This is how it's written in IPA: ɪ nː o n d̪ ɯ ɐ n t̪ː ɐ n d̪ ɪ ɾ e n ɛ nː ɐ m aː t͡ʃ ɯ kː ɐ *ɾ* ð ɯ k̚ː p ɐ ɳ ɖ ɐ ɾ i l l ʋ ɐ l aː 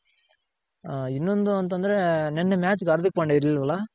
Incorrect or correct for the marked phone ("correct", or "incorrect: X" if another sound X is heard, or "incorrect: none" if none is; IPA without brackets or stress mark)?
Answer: correct